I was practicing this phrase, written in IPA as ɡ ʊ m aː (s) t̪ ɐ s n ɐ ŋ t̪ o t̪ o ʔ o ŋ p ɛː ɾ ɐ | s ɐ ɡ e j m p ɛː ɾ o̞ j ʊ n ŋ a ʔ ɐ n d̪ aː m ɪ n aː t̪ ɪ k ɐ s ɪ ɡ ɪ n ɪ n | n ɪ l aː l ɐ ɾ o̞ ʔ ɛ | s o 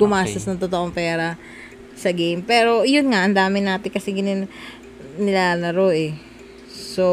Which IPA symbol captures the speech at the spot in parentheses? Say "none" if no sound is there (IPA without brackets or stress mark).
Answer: s